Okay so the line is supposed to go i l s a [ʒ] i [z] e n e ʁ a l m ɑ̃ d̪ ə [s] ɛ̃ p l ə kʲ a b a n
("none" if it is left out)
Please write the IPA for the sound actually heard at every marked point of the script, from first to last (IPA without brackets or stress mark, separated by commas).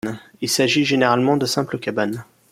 ʒ, ʒ, s